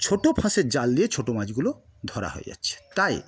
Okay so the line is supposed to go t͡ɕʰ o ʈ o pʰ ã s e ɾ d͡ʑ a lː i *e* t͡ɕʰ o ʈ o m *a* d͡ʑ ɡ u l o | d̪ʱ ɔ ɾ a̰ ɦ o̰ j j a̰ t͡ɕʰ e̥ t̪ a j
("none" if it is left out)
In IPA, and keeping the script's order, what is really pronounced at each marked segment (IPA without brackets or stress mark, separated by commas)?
e, a